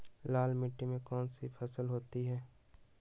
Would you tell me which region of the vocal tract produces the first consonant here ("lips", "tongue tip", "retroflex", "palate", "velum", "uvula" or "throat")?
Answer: tongue tip